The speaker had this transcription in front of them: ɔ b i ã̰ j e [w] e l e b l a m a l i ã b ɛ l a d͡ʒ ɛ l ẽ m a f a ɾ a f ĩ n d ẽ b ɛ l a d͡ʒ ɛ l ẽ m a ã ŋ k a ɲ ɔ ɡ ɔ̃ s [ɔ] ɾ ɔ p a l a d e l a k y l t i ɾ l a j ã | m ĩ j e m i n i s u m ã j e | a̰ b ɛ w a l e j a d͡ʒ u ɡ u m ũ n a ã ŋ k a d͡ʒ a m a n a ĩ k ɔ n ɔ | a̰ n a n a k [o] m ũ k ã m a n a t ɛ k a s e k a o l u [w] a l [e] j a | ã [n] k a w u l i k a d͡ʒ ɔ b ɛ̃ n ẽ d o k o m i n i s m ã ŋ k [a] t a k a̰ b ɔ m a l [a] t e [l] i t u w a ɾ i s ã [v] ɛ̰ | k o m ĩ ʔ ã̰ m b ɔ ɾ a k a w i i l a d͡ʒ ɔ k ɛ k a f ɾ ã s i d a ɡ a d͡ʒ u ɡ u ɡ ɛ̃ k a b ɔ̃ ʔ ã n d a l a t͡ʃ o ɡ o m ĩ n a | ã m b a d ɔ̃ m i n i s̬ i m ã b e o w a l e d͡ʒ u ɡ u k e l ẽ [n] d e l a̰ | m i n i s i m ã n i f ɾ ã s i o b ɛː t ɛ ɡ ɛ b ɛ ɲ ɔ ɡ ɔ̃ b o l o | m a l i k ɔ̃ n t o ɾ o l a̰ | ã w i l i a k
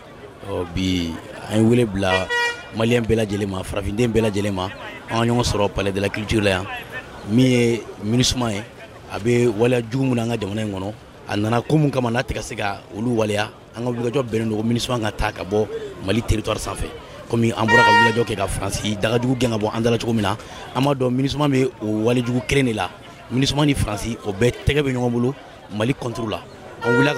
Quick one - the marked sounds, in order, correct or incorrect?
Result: correct, correct, correct, correct, correct, incorrect: ŋ, correct, incorrect: i, incorrect: ɾ, incorrect: f, correct

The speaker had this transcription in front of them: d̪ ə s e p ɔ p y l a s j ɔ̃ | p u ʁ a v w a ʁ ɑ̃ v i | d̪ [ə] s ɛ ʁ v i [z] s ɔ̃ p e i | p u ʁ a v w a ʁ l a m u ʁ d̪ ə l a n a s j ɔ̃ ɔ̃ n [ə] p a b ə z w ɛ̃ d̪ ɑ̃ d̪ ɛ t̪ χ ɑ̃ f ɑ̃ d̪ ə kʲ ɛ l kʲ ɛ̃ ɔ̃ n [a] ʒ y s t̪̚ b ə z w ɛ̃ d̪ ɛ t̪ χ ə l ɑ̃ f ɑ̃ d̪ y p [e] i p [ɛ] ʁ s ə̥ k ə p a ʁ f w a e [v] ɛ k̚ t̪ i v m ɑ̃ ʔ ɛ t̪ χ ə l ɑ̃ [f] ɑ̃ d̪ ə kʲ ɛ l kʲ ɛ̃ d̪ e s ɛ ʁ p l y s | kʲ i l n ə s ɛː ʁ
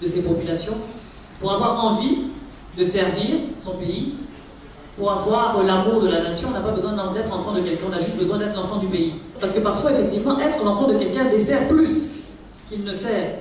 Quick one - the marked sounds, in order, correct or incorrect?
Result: correct, incorrect: ʁ, incorrect: a, correct, correct, incorrect: a, incorrect: f, correct

